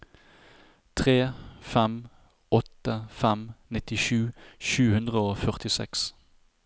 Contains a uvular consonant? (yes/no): yes